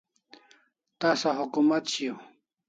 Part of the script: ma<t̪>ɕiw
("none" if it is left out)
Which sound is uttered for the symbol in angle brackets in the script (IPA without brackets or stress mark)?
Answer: t̪